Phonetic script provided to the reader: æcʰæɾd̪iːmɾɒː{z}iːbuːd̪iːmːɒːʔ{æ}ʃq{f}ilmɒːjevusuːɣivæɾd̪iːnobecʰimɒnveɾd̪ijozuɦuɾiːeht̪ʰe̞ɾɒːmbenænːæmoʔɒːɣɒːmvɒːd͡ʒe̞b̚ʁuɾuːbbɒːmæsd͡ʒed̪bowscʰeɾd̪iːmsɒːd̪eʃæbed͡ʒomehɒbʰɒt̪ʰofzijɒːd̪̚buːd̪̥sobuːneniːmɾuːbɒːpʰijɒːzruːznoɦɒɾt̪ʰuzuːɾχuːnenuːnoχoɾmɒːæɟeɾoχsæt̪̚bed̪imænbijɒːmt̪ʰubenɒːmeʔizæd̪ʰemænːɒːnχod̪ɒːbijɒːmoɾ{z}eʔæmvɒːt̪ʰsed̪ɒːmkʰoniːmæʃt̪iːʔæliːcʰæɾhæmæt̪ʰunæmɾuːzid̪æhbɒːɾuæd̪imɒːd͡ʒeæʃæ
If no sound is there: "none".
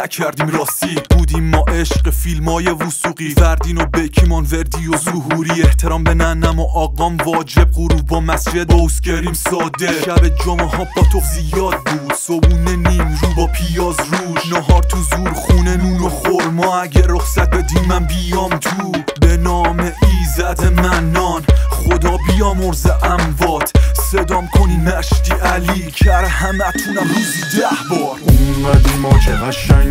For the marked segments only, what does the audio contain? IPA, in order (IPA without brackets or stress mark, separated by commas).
s, e, f, z